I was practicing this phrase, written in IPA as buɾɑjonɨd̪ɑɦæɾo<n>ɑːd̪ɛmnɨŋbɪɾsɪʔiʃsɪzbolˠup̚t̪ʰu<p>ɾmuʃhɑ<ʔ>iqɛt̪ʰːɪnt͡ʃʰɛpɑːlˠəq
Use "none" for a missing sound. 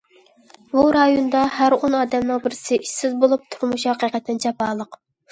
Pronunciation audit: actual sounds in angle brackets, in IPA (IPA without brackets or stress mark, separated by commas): n, none, q